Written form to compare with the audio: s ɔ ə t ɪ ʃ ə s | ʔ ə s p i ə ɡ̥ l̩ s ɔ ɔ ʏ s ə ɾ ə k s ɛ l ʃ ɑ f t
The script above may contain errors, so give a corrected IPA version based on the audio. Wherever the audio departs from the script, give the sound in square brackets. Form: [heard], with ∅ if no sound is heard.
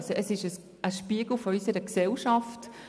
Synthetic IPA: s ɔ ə [s] ɪ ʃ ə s | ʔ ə [ʃ] p i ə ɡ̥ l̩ [f] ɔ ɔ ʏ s ə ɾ ə k s ɛ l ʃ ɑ f t

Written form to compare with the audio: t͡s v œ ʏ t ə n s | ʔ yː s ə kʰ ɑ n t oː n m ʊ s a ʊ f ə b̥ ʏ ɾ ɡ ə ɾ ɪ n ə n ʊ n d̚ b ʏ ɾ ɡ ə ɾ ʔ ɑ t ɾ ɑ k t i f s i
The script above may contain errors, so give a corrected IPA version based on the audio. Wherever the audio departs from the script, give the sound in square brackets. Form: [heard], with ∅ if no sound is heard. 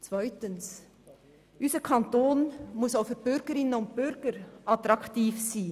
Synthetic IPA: t͡s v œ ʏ t ə n s | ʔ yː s ə kʰ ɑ n t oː n m ʊ s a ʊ f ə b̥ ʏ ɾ ɡ ə ɾ ɪ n ə n ʊ n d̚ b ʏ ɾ ɡ ə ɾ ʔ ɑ t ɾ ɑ k t [iː] f s [iː]

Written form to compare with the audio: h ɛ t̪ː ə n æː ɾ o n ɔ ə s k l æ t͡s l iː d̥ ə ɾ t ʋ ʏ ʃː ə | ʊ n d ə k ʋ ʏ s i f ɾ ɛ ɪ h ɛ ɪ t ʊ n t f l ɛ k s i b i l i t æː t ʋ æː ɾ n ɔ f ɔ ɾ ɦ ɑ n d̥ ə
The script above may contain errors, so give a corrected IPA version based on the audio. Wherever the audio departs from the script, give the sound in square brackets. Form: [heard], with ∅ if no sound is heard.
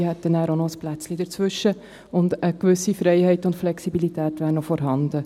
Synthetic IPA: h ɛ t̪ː ə n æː ɾ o n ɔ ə s [p] l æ t͡s l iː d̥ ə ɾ [t͡s] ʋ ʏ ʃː ə | ʊ n d ə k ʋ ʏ s i f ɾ ɛ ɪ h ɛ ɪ t ʊ n t f l ɛ k s i b i l i t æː t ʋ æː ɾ n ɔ f ɔ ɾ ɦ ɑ n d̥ ə

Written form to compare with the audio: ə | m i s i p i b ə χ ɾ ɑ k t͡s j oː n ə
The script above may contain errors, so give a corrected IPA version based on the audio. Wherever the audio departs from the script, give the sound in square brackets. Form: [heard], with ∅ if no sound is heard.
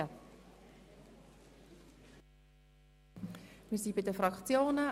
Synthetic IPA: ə | m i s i [b] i [d] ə [f] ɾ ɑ k t͡s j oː n ə

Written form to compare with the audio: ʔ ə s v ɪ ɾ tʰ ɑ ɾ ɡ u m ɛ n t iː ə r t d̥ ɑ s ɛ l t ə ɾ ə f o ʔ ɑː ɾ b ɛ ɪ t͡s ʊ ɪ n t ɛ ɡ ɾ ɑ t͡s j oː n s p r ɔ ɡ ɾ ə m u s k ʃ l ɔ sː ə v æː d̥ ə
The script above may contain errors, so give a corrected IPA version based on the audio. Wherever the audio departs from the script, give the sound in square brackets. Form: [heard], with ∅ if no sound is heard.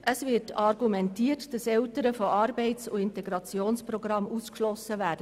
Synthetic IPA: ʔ ə s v ɪ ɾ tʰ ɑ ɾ ɡ u m ɛ n t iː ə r t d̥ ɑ s ɛ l t ə ɾ ə f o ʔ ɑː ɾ b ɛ ɪ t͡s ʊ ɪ n t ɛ ɡ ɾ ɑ t͡s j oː n s p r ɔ ɡ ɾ [ɑ] m u s k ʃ l ɔ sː ə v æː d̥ ə

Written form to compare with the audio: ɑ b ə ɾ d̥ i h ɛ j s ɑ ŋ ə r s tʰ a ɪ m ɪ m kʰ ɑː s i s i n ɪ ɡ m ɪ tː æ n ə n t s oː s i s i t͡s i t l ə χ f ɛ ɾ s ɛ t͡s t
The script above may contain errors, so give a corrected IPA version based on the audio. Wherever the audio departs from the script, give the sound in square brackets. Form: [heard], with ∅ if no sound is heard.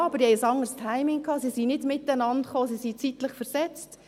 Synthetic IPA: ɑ b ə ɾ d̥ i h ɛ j s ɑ ŋ ə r s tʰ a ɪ m ɪ [ŋ] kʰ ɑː s i s i n ɪ [d] m ɪ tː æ n [ɑ] n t [χ] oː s i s i t͡s i t l ə χ f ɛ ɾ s ɛ t͡s t

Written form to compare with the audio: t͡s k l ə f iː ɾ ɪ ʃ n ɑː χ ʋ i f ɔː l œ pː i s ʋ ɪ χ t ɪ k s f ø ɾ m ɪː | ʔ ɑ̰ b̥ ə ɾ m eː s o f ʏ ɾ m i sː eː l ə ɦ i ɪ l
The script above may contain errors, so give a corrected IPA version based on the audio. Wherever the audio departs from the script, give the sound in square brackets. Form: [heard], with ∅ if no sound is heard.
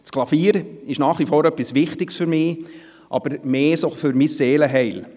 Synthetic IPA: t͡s k l [ɑ] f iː ɾ ɪ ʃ n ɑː χ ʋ i f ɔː [ɾ] œ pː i s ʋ ɪ χ t ɪ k s f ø ɾ m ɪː | ʔ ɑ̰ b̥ ə ɾ m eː s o f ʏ ɾ m i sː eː l ə ɦ [ɛ] ɪ l

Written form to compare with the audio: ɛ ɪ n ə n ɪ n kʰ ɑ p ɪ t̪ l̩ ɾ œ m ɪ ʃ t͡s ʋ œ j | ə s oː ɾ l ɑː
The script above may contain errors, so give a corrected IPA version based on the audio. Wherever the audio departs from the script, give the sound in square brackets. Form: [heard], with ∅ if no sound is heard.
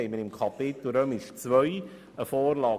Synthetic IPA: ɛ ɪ [m] ə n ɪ [m] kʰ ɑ p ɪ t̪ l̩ ɾ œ m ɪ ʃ t͡s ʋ œ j | ə [f] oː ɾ l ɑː

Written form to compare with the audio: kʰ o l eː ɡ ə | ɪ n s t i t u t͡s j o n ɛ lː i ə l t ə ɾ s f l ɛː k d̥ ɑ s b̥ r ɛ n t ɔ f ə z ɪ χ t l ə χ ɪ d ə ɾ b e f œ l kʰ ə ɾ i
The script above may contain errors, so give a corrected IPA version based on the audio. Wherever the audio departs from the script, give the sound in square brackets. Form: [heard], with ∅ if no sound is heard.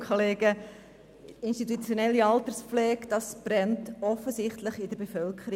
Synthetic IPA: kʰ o l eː ɡ ə | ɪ n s t i t u t͡s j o n ɛ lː i [ɑ] l t ə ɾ s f l ɛː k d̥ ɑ s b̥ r ɛ n t ɔ f ə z ɪ χ t l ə χ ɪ d ə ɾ b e f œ l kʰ ə ɾ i

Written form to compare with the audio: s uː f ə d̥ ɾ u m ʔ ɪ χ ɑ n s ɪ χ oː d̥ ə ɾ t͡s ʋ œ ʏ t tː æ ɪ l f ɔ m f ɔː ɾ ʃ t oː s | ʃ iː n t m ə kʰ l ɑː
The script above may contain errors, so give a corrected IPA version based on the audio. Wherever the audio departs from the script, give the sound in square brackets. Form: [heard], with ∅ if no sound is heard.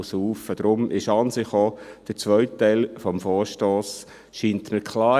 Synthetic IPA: s uː f ə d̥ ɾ [ʊ] m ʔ ɪ [ʃ] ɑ n s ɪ χ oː d̥ ə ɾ t͡s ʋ œ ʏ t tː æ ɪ l f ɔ m f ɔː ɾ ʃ t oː s | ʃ iː n t m ə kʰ l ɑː

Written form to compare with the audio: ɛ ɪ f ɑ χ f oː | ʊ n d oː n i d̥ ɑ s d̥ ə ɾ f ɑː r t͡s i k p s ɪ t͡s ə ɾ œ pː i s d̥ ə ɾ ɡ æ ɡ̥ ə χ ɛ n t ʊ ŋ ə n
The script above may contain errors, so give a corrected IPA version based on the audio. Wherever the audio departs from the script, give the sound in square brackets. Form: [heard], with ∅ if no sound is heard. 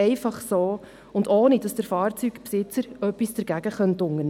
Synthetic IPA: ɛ ɪ f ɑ χ [s] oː | ʊ n d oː n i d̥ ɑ s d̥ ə ɾ f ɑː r t͡s [y] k p s ɪ t͡s ə ɾ œ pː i s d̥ ə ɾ ɡ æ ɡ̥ ə χ [œ] n t ʊ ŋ ə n

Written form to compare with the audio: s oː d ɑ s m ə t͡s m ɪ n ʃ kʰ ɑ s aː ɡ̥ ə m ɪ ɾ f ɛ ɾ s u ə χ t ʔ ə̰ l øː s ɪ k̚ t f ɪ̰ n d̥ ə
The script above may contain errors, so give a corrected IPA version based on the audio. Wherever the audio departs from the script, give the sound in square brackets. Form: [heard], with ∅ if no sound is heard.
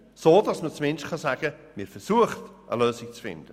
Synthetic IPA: s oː d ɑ s m ə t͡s m ɪ n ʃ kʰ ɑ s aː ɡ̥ ə m ɪ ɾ f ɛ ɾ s u ə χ t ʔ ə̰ l øː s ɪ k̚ [t͡s] f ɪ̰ n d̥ ə

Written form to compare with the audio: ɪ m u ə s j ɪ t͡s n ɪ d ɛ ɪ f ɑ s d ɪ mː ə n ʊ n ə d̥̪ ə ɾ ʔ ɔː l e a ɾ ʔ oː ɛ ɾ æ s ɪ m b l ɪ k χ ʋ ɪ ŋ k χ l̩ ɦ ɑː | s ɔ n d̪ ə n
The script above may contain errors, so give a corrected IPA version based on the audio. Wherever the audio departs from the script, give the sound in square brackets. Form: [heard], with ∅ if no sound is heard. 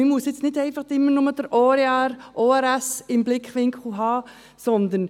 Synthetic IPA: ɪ m u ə s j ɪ t͡s n ɪ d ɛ ɪ f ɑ [χ] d ɪ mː ə n ʊ [m] ə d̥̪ ə ɾ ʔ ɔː [ɾ] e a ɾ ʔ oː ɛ ɾ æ s ɪ m b l ɪ k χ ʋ ɪ ŋ k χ l̩ ɦ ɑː | s ɔ n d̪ ə n

